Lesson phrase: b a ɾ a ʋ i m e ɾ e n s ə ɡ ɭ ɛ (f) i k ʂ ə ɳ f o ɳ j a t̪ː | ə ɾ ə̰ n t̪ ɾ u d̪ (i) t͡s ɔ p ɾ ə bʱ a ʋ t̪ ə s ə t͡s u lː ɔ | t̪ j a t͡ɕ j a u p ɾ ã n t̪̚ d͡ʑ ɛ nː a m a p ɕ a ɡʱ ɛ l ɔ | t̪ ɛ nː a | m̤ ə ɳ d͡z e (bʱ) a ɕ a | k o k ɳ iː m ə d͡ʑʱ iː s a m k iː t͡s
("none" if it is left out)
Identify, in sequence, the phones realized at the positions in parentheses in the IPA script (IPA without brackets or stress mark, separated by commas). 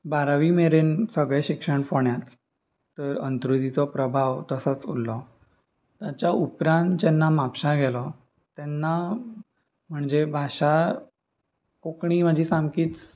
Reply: ɕ, i, bʱ